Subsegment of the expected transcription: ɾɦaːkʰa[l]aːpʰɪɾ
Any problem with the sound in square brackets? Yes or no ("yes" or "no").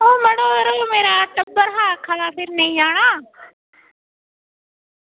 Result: no